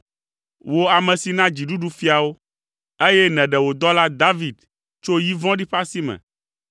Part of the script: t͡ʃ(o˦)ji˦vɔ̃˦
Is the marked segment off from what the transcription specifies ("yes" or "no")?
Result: no